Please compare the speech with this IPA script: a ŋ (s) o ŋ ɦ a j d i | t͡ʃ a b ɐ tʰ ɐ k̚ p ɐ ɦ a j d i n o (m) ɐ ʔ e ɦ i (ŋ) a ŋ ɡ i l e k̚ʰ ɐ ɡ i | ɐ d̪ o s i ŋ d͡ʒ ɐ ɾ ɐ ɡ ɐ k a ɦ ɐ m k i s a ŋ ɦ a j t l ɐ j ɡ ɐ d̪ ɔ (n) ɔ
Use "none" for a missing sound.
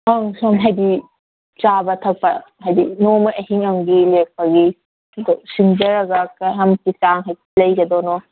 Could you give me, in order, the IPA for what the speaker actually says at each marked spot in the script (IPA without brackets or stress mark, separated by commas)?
s, m, ŋ, n